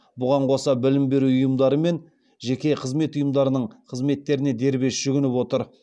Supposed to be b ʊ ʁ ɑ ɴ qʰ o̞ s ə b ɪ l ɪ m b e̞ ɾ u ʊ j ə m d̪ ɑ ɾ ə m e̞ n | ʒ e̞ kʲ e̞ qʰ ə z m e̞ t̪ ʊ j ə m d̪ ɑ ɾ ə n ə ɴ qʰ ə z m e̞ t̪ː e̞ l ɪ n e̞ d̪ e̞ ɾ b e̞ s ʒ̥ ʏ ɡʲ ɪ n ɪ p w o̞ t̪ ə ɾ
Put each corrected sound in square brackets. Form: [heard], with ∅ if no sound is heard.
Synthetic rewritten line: b ʊ ʁ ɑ ɴ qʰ o̞ s [ɑ] b ɪ l ɪ m b e̞ ɾ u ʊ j ə m d̪ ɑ ɾ ə m e̞ n | ʒ e̞ kʲ e̞ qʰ ə z m e̞ t̪ ʊ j ə m d̪ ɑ ɾ ə n ə ɴ qʰ ə z m e̞ t̪ː e̞ [ɾ] ɪ n e̞ d̪ e̞ ɾ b e̞ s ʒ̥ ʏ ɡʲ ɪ n ɪ p w o̞ t̪ ə ɾ

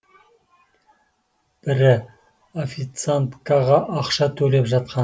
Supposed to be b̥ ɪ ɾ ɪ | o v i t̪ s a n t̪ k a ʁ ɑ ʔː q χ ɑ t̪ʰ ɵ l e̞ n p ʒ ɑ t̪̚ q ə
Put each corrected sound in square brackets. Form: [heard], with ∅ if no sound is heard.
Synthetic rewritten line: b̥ ɪ ɾ ɪ | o [f] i t̪ s a n t̪ k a ʁ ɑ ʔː q [ʃ] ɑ t̪ʰ ɵ l e̞ [∅] p ʒ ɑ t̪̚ q [ɑ]

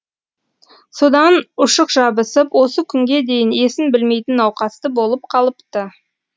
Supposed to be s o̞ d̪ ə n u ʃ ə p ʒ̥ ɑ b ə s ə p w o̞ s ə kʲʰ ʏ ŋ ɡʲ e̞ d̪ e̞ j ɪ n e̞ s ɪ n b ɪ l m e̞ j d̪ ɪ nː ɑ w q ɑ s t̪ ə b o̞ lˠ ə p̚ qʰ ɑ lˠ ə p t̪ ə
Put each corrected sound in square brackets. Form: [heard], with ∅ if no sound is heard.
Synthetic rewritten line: s o̞ d̪ [ɑ] n [ʊ] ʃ ə [q] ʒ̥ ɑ b ə s ə p w o̞ s ə kʲʰ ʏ ŋ ɡʲ e̞ d̪ e̞ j ɪ n e̞ s ɪ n b ɪ l m e̞ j [t̪] ɪ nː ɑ w q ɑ s t̪ ə b o̞ lˠ ə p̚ qʰ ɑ lˠ ə p t̪ ə

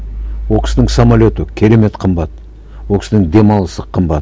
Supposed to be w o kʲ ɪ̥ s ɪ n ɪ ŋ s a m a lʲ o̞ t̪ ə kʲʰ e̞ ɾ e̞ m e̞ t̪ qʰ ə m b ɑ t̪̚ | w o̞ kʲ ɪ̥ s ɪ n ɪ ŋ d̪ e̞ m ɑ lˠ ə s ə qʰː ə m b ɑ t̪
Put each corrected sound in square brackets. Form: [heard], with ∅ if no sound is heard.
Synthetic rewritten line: w o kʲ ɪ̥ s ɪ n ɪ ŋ s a m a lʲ o̞ t̪ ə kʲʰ e̞ ɾ e̞ m e̞ t̪ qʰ ə m b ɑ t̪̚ | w o̞ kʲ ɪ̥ s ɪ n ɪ ŋ d̪ e̞ m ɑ lˠ ə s ə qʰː ə m b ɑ t̪

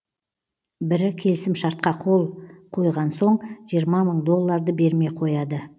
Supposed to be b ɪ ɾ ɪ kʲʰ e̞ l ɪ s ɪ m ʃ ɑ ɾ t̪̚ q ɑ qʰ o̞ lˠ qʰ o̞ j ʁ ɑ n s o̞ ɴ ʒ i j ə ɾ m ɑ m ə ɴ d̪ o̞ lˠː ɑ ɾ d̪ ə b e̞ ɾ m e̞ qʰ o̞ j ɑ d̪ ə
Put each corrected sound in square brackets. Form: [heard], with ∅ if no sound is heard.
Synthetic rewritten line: b ɪ ɾ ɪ kʲʰ e̞ l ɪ s ɪ m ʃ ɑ ɾ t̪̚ q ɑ qʰ o̞ lˠ qʰ o̞ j ʁ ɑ n s o̞ ɴ ʒ i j ə ɾ m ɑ m ə ɴ d̪ o̞ lˠː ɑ ɾ d̪ ə b e̞ ɾ m e̞ qʰ o̞ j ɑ d̪ ə

